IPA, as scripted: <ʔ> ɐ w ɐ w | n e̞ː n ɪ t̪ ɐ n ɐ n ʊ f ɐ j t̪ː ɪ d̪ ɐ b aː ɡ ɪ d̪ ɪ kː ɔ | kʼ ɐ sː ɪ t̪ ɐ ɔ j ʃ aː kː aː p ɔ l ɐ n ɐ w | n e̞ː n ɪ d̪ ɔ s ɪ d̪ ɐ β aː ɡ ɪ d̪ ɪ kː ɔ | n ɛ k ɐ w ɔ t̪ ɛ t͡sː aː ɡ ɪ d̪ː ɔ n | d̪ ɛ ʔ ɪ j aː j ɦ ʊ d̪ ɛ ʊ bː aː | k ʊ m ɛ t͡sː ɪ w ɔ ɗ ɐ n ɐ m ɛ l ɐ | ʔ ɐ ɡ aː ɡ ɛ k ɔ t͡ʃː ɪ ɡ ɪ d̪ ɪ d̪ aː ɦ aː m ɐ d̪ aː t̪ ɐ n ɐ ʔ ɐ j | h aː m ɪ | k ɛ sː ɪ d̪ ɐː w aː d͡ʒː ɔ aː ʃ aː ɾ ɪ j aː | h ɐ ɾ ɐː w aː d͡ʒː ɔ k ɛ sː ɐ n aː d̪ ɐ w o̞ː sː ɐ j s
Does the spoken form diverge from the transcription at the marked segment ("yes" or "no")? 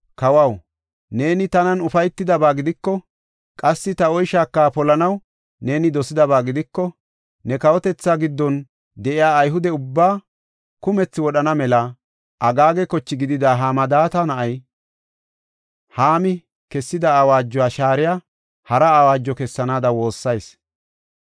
yes